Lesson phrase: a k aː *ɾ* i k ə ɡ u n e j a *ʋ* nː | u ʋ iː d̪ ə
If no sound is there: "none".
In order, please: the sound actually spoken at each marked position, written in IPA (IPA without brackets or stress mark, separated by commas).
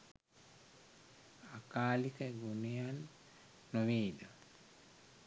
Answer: l, none